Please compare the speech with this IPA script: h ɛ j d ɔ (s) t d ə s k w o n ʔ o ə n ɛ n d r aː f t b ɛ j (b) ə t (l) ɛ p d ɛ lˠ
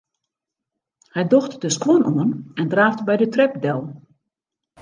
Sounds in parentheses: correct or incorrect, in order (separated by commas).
incorrect, incorrect, incorrect